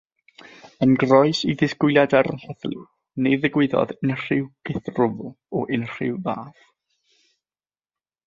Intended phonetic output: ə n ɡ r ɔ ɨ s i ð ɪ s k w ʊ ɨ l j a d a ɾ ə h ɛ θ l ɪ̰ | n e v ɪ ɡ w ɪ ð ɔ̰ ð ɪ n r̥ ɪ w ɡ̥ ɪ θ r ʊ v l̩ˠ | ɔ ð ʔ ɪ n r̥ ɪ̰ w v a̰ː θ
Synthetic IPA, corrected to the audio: ə n ɡ r ɔ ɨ s i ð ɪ s k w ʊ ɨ l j a d a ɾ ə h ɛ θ l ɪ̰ | n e ð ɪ ɡ w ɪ ð ɔ̰ ð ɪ n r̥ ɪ w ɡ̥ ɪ θ r ʊ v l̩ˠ | ɔ ʔ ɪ n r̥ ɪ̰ w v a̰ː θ